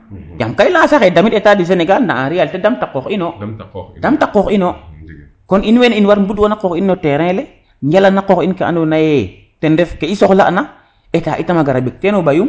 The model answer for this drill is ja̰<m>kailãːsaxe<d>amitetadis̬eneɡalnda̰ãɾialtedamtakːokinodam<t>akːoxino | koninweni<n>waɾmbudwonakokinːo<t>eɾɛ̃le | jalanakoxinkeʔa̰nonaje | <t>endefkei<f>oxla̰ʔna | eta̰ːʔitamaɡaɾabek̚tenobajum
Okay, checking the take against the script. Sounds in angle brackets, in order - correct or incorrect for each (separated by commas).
correct, correct, correct, correct, correct, correct, incorrect